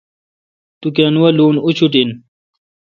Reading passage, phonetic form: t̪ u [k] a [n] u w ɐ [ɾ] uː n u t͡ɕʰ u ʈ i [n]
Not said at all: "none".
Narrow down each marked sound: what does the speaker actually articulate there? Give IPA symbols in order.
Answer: k, n, l, n

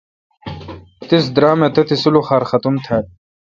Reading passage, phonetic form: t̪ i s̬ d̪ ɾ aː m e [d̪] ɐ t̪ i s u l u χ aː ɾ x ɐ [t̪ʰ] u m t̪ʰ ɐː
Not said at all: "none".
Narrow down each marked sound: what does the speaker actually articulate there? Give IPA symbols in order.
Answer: t̪, t̪

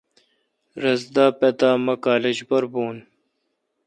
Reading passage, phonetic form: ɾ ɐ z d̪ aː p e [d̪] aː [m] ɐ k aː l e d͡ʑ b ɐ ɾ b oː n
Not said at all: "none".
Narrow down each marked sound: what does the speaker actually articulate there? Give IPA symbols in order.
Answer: t̪, m

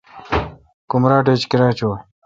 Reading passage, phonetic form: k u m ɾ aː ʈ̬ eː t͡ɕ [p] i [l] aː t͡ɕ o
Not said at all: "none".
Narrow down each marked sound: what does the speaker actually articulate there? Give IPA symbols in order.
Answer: k, ɾ

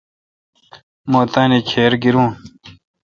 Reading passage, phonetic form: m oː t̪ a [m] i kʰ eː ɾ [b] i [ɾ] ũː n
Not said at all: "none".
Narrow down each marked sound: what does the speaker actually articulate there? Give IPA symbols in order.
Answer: n, ɡ, ɾ

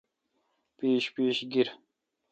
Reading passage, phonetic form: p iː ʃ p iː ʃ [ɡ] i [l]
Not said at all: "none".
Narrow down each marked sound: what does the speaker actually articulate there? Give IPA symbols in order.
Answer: ɡ, ɾ

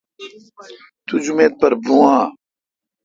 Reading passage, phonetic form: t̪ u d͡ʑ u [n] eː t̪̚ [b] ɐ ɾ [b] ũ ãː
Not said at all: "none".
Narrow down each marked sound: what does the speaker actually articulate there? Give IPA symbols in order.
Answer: m, p, b

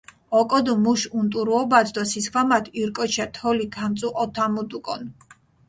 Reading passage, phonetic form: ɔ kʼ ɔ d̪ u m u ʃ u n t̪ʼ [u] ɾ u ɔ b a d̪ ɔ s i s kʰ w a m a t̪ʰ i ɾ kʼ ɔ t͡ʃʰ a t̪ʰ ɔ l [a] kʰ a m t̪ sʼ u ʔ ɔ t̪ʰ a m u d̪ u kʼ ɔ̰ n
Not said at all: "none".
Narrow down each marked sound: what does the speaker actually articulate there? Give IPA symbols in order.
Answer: u, i

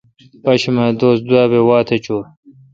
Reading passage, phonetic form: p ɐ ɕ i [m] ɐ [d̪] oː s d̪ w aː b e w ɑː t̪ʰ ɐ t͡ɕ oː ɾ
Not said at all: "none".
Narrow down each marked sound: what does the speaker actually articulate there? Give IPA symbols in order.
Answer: m, d̪

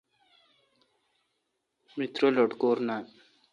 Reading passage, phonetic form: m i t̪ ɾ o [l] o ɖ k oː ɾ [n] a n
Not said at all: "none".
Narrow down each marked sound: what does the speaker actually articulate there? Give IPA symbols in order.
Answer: l, n

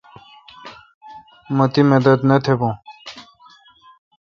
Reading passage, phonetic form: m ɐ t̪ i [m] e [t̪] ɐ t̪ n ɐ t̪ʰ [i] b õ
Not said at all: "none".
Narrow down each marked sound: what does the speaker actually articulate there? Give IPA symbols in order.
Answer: m, d̪, e

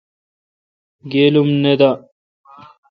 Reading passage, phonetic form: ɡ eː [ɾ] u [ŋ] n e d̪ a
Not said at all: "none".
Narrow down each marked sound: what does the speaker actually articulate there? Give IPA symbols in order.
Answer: l, m

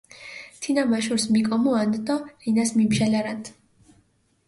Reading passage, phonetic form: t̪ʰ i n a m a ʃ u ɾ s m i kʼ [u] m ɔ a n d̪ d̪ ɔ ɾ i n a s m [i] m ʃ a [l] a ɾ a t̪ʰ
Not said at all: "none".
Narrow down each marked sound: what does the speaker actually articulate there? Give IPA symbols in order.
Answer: ɔ, i, l

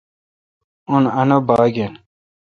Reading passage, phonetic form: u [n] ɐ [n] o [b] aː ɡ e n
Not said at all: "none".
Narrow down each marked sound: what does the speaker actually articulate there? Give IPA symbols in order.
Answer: n, n, b

